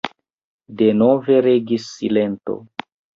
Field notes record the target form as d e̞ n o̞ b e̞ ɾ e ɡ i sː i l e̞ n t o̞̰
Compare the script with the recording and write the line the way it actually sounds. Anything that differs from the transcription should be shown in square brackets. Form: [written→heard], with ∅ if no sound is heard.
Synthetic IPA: d e̞ n o̞ [b→v] e̞ ɾ e ɡ i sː i l e̞ n t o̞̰